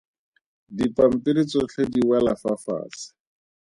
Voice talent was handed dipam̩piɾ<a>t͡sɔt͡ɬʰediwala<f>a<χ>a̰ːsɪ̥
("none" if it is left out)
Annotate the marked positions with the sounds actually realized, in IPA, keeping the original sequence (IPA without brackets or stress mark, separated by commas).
i, f, f